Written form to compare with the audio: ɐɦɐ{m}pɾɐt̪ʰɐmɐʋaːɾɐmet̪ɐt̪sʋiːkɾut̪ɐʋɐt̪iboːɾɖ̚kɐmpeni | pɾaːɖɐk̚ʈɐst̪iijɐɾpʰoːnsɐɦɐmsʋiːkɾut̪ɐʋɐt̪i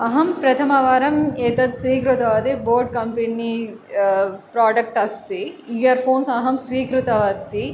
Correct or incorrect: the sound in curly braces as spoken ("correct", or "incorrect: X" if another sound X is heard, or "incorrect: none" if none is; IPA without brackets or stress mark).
correct